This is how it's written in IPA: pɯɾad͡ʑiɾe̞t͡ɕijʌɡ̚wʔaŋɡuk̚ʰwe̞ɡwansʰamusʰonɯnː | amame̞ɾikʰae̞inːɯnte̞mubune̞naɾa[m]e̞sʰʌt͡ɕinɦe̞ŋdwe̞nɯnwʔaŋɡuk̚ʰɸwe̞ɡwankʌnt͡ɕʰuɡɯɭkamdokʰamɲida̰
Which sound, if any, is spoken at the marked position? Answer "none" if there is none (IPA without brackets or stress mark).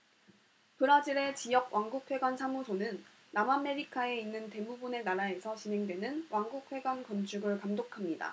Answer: none